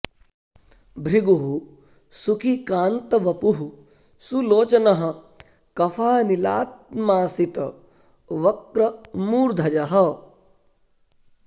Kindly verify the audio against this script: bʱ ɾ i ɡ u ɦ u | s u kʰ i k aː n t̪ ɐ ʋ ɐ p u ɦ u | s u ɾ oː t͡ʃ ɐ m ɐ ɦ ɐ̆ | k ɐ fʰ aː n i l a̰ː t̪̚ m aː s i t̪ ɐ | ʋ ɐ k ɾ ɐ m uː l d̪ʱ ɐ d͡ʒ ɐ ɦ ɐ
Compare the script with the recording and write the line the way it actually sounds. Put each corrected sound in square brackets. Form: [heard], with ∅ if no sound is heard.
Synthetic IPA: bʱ ɾ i ɡ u ɦ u | s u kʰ i k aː n t̪ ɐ ʋ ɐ p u ɦ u | s u [l] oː t͡ʃ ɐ [n] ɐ ɦ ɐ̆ | k ɐ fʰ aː n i l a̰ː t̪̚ m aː s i t̪ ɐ | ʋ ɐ k ɾ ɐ m uː [ɾ] d̪ʱ ɐ d͡ʒ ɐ ɦ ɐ